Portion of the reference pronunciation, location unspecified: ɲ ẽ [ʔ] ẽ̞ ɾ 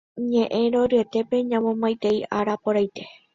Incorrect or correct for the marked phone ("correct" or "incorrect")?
correct